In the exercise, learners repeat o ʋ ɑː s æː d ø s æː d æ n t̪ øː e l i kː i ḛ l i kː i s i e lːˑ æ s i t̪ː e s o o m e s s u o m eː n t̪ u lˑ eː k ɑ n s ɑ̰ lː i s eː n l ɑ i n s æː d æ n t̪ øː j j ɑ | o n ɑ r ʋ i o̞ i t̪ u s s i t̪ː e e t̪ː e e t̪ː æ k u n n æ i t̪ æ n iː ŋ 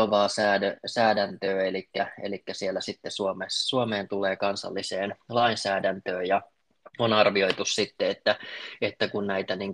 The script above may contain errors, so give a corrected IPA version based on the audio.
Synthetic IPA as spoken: o ʋ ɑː s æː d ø s æː d æ n t̪ øː e l i kː æ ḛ l i kː æ s i e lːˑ æ s i t̪ː e s u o m e s s u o m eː n t̪ u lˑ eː k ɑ n s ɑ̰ lː i s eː n l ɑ i n s æː d æ n t̪ øː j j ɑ | o n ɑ r ʋ i o̞ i t̪ u s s i t̪ː e e t̪ː æ e t̪ː æ k u n n æ i t̪ æ n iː ŋ